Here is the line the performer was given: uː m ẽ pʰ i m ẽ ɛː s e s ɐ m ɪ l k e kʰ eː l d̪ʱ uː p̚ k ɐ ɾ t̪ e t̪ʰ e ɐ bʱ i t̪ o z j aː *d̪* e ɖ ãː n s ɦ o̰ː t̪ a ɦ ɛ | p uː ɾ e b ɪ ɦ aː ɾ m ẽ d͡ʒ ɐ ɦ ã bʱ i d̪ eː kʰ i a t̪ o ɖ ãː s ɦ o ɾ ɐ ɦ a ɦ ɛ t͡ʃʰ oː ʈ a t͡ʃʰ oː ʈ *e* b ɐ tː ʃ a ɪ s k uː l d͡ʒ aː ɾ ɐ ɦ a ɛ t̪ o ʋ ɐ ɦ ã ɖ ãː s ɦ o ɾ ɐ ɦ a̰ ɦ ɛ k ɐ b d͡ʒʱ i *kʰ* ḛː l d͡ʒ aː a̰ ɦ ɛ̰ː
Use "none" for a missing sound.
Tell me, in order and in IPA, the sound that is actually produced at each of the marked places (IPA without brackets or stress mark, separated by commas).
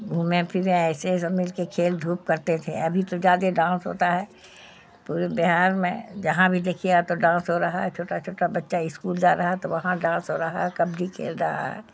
d̪, a, kʰ